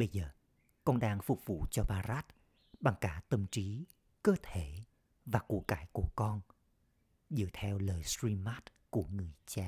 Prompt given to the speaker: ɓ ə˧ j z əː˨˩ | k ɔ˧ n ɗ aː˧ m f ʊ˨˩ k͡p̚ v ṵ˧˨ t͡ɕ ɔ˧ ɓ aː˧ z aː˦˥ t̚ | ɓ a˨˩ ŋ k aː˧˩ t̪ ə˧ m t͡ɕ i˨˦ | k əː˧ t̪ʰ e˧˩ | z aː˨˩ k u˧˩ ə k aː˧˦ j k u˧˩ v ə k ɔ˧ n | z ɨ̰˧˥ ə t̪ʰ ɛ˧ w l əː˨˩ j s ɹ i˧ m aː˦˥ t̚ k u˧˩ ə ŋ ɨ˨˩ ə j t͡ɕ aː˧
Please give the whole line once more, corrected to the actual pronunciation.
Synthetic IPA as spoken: ɓ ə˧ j z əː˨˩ | k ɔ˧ n ɗ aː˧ ŋ f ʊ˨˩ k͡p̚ v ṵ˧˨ t͡ɕ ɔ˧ ɓ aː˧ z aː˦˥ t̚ | ɓ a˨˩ ŋ k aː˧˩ t̪ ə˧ m t͡ɕ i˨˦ | k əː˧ t̪ʰ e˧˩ | v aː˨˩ k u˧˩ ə k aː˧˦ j k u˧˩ ə k ɔ˧ n | z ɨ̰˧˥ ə t̪ʰ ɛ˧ w l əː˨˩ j s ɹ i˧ m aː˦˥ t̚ k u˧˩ ə ŋ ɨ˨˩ ə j t͡ɕ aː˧